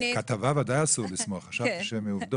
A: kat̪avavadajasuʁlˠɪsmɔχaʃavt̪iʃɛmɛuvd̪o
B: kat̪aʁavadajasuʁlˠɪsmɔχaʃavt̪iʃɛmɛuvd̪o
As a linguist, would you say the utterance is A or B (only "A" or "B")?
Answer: A